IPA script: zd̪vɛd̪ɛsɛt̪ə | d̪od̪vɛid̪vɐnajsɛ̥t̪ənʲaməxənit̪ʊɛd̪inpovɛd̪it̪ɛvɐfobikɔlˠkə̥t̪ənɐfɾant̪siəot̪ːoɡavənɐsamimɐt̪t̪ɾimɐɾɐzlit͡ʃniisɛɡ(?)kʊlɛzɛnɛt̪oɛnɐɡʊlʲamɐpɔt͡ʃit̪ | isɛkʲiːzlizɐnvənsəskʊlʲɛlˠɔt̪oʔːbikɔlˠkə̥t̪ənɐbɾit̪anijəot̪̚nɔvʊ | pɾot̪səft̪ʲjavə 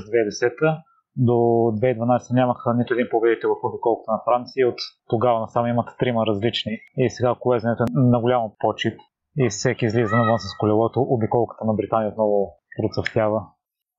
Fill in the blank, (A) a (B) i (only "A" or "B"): A